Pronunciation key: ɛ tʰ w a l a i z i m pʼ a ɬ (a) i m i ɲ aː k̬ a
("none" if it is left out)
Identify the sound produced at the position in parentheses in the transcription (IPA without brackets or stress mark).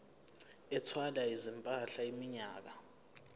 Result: a